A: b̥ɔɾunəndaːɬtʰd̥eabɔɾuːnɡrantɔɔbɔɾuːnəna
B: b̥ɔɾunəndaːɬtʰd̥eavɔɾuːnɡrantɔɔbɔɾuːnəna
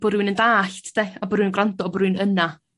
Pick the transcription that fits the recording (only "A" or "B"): A